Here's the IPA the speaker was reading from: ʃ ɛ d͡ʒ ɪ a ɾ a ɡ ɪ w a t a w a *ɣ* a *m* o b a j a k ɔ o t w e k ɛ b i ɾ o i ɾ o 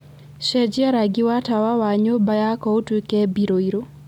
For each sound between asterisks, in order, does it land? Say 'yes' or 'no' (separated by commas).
no, no